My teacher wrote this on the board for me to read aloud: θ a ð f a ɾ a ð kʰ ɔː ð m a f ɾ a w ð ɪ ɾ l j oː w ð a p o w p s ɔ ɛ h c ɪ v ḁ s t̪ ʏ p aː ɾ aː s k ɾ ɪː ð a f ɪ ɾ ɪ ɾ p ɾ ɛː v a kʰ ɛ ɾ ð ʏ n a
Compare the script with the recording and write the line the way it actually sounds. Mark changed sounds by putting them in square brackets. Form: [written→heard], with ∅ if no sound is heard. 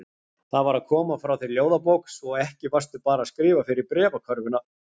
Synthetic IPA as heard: θ a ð [f→v] a ɾ a ð kʰ ɔː [ð→∅] m a f ɾ a w [ð→θ] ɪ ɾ l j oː w ð a p o w [p→k] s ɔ ɛ h c ɪ v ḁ s t̪ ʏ p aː ɾ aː s k ɾ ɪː [ð→v] a f ɪ ɾ ɪ ɾ p ɾ ɛː v a kʰ [ɛ→œ] ɾ [ð→v] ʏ n a

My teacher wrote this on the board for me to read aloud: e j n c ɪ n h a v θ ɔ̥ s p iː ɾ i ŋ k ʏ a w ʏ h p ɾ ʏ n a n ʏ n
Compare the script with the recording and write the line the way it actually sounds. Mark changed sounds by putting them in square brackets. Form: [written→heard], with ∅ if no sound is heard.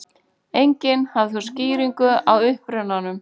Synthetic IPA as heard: e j [n→ɲ] c ɪ n h a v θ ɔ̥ s [p→c] iː ɾ i ŋ k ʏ a w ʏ h p ɾ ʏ n a n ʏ [n→m]

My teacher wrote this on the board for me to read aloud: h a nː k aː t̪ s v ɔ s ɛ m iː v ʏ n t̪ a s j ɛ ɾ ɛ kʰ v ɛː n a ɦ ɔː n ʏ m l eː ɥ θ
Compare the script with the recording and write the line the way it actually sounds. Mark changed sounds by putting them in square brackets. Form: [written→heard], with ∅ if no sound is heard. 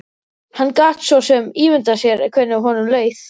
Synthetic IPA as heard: h a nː k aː t̪ s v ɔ s ɛ m iː v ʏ n t̪ a s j ɛ ɾ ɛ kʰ v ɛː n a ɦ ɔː n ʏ m l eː ɥ θ

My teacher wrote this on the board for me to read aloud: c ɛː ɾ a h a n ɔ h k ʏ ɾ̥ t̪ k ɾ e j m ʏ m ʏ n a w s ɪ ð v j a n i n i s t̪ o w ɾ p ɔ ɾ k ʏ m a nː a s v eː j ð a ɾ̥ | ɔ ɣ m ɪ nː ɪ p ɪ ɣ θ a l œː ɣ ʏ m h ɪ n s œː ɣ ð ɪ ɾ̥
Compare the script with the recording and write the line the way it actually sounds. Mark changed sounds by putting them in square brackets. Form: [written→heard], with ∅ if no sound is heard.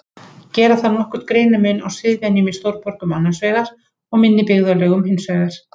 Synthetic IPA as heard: c ɛː ɾ a [h→θ] a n ɔ h k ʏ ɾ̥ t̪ k ɾ e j [m→n] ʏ m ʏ n a w s ɪ ð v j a n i [n→m] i s t̪ o w ɾ p ɔ ɾ k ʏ m a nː a s v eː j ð a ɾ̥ | ɔ ɣ m ɪ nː ɪ p ɪ ɣ [θ→ð] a l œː ɣ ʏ m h ɪ n s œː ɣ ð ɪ ɾ̥

